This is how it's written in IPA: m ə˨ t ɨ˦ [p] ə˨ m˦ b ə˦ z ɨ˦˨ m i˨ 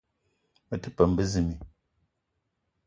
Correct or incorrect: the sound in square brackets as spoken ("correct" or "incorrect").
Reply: correct